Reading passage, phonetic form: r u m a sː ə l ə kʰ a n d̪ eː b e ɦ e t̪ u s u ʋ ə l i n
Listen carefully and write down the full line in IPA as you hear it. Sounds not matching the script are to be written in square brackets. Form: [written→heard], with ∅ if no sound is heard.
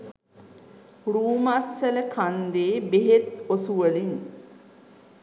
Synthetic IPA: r [u→uː] m a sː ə l ə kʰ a n d̪ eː b e ɦ e t̪ [u→o] s u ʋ ə l i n